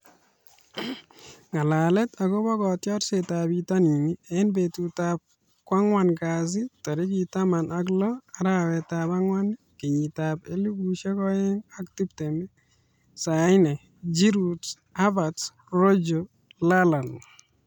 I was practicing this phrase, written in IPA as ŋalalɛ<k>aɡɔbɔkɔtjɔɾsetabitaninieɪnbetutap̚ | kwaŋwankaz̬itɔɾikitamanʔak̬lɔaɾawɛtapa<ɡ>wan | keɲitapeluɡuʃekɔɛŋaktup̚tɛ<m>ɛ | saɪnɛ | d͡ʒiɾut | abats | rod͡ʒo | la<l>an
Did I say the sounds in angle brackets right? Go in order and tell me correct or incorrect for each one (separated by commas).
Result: incorrect, incorrect, correct, correct